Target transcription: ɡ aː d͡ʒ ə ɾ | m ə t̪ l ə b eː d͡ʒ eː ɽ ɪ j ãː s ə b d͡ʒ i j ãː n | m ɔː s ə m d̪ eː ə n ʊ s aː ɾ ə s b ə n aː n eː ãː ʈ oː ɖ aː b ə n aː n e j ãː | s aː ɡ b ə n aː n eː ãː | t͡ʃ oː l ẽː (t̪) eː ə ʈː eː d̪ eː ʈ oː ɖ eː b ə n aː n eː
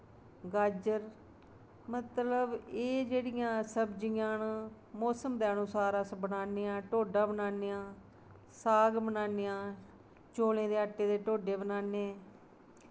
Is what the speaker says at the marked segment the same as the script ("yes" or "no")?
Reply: no